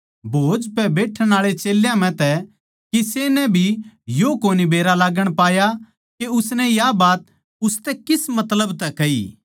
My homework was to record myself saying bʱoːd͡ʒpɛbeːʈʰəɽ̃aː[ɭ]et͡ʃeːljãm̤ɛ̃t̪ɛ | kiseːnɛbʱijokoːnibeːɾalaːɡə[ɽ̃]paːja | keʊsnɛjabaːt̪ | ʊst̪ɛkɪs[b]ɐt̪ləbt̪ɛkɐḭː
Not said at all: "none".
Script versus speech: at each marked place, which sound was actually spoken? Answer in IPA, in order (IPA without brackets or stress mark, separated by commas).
ɭ, ɽ̃, m